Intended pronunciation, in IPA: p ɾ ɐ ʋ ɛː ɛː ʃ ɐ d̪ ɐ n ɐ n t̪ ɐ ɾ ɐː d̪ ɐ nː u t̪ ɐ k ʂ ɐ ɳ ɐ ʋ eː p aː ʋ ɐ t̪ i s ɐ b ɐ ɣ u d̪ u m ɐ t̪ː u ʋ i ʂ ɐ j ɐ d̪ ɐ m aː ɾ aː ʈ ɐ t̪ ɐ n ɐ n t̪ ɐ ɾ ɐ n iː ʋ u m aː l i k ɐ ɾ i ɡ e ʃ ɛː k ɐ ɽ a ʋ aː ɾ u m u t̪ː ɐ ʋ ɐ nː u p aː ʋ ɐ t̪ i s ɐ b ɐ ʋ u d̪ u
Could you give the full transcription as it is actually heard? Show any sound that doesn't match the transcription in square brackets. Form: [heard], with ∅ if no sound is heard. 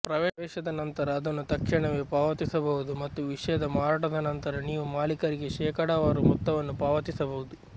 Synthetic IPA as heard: p ɾ ɐ ʋ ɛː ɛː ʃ ɐ d̪ ɐ n ɐ n t̪ ɐ ɾ ɐː d̪ ɐ nː u t̪ ɐ k ʂ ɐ ɳ ɐ ʋ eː p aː ʋ ɐ t̪ i s ɐ b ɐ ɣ u d̪ u m ɐ t̪ː u ʋ i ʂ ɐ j ɐ d̪ ɐ m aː ɾ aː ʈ ɐ [d̪] ɐ n ɐ n t̪ ɐ ɾ ɐ n iː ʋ u m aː l i k ɐ ɾ i ɡ e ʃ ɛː k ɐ ɽ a ʋ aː ɾ u m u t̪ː ɐ ʋ ɐ nː u p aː ʋ ɐ t̪ i s ɐ b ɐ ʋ u d̪ u